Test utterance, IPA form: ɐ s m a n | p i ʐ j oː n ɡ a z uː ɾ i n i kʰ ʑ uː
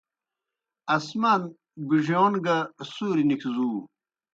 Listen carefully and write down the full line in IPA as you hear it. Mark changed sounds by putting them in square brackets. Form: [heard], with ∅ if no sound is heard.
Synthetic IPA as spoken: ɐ s m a n | [b] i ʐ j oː n ɡ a [s] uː ɾ i n i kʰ [z] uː